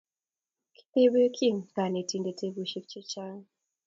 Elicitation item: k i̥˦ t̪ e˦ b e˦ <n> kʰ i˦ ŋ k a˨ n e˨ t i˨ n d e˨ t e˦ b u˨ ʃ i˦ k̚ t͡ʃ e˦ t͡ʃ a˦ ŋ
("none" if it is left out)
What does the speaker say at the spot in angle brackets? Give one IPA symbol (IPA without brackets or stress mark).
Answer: none